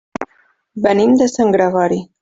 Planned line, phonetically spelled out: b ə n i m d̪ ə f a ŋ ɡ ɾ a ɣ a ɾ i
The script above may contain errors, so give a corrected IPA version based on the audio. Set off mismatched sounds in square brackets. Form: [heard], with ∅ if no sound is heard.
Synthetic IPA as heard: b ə n i m d̪ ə [s] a ŋ ɡ ɾ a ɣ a ɾ i